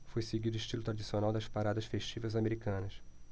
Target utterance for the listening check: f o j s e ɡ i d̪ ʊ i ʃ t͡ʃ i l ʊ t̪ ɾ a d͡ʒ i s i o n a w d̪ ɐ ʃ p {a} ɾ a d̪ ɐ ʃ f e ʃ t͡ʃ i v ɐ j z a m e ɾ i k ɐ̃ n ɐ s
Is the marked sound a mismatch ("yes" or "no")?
no